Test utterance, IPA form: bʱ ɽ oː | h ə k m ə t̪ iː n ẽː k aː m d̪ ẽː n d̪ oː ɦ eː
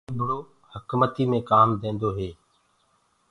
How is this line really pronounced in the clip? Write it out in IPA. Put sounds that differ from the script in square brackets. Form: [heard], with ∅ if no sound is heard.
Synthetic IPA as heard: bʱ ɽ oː | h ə k m ə t̪ iː [m] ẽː k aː m d̪ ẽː n d̪ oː ɦ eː